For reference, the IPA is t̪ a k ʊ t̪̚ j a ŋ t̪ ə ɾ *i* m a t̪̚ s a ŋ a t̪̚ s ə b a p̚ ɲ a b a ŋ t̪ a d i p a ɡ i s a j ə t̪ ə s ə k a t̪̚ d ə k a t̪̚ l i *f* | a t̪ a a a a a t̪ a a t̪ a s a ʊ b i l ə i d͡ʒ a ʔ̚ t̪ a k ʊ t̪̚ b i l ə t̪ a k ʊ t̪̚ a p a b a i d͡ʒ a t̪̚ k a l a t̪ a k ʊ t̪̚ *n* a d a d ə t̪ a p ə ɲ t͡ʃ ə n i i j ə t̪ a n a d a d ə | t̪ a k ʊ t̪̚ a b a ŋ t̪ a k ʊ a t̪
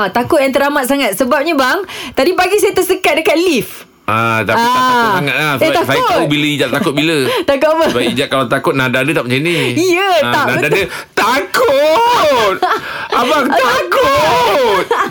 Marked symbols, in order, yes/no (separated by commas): no, yes, yes